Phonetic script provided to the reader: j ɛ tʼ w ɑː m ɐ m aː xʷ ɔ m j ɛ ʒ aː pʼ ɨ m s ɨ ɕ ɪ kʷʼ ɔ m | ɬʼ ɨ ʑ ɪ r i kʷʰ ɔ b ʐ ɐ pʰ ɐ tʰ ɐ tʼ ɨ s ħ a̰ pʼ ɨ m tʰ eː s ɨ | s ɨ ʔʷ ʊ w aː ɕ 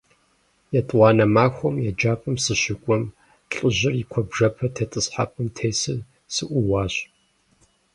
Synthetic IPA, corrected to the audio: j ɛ tʼ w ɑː n ɐ m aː xʷ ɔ m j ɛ d͡ʒ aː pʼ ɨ m s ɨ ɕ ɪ kʷʼ ɔ m | ɬʼ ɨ ʑ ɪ r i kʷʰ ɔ b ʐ ɐ pʰ ɐ tʰ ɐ tʼ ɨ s ħ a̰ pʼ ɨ m tʰ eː s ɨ | s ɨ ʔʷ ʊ w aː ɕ